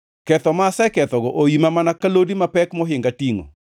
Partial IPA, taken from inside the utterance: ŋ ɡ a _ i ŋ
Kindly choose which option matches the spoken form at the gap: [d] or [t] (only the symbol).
t